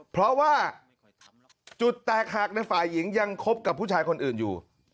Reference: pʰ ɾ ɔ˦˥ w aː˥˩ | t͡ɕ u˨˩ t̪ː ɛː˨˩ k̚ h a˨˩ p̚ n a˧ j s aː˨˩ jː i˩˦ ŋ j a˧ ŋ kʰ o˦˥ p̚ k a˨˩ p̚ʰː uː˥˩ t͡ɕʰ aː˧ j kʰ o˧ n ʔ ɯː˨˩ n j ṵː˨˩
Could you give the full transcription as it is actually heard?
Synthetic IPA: pʰ ɾ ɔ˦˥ w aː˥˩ | t͡ɕ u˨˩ t̪ː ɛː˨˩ k̚ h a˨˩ k̚ n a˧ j f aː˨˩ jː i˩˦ ŋ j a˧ ŋ kʰ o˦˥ p̚ k a˨˩ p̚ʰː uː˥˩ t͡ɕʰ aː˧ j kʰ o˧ n ʔ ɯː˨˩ n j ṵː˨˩